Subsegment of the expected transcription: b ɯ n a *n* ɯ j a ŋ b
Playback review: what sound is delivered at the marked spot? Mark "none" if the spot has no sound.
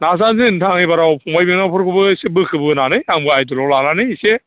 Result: n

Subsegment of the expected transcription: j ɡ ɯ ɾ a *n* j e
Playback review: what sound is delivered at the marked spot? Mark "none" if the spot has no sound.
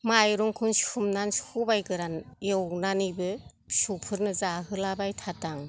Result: n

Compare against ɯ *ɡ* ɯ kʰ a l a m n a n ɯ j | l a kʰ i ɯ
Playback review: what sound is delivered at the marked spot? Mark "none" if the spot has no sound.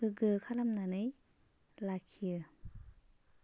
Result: ɡ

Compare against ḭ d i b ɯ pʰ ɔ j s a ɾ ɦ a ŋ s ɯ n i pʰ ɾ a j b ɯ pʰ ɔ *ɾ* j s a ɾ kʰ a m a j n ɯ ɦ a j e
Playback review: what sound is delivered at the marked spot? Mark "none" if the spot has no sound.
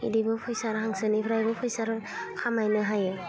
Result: none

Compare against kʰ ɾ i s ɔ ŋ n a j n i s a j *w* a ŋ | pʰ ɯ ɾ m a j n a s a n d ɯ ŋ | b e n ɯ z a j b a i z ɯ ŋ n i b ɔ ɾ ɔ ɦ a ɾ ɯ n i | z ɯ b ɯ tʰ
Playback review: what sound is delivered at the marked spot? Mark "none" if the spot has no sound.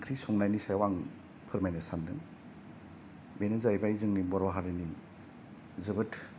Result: w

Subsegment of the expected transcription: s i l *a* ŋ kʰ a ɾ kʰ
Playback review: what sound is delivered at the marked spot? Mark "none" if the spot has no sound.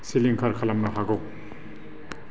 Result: i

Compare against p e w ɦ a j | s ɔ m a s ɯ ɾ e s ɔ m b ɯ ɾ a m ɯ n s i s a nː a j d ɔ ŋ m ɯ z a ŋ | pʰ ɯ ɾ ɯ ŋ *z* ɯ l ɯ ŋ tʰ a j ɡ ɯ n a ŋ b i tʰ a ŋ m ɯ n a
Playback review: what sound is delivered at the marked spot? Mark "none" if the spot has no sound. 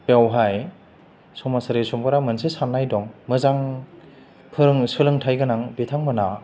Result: s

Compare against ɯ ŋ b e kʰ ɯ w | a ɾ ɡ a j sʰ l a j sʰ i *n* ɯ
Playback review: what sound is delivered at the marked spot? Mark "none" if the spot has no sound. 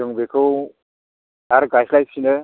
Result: n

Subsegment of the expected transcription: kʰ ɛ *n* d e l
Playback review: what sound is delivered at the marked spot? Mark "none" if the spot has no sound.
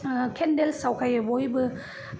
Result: n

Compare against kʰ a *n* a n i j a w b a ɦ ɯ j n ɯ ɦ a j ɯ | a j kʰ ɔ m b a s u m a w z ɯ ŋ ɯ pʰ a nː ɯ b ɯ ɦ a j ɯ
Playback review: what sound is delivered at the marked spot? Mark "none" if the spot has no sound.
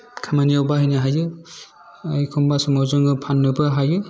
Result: m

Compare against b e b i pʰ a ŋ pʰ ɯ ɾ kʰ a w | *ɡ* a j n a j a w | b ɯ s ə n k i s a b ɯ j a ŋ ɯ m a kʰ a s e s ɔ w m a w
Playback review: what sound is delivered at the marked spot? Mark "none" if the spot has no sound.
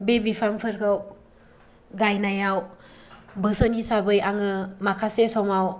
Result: ɡ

